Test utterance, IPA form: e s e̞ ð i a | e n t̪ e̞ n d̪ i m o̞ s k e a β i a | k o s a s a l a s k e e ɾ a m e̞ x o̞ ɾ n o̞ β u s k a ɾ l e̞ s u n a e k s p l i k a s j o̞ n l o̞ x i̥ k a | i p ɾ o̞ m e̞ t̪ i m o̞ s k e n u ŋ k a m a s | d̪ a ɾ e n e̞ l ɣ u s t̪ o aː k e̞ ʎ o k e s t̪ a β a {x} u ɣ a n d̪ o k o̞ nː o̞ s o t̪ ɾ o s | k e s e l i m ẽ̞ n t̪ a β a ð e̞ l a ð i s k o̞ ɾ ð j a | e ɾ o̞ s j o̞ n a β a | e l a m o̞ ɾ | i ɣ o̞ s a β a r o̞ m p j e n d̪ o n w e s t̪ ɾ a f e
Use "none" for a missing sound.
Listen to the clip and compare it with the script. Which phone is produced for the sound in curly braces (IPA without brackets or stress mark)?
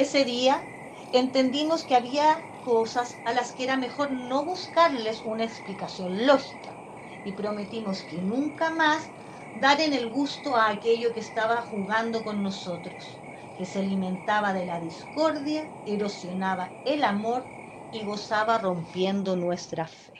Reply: x